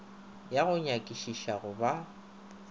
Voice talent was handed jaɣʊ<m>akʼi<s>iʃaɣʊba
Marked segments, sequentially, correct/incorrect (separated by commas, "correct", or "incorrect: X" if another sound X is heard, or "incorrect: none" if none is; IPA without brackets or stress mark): incorrect: ɲ, incorrect: ʃ